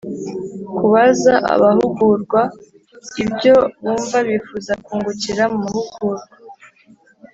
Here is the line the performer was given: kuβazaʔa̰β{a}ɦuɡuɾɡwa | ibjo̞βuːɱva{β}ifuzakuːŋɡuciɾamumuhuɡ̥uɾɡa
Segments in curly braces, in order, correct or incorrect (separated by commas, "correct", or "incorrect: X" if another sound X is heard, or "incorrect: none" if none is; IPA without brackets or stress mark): correct, correct